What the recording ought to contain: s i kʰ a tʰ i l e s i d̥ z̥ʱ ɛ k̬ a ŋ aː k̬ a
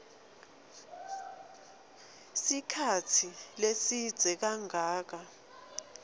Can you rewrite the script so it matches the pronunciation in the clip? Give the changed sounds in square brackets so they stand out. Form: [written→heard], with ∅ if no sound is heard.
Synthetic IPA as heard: s i kʰ a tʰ i l e s i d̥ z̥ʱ ɛ k̬ a ŋ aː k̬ a